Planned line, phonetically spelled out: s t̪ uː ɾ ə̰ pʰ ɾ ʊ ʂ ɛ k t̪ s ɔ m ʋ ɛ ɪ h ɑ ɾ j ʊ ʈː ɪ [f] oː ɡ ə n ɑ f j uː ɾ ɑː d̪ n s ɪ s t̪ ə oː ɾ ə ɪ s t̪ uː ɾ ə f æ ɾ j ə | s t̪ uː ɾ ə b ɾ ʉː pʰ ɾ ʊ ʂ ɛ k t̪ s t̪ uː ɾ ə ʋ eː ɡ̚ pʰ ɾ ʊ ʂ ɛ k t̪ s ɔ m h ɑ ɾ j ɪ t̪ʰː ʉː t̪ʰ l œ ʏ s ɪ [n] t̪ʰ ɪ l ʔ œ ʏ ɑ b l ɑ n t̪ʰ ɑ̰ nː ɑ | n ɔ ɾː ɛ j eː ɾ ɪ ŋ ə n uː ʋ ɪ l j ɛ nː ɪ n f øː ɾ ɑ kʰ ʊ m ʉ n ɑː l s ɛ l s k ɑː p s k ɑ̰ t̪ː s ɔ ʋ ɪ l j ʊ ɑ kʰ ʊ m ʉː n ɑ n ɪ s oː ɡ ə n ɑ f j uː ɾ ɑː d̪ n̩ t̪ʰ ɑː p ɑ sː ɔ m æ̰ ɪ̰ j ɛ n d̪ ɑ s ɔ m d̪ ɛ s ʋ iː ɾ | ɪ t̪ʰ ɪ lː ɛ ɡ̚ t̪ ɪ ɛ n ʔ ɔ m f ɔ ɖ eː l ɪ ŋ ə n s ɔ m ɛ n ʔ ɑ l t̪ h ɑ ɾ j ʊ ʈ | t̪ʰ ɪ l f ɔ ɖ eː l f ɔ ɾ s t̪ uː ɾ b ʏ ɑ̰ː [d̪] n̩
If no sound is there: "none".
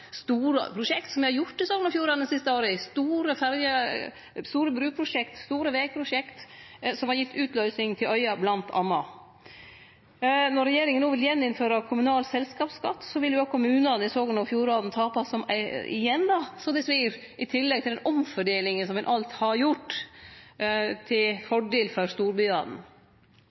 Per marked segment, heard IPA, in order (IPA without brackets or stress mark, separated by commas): s, ŋ, d̪